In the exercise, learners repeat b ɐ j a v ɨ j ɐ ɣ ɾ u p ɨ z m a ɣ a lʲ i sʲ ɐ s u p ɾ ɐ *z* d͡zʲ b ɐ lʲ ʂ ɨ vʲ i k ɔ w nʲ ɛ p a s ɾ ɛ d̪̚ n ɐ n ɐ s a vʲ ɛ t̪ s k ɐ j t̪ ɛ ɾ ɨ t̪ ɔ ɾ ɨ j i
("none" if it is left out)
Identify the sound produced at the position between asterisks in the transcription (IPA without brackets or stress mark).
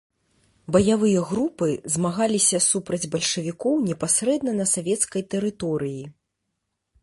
none